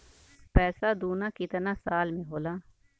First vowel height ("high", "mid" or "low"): mid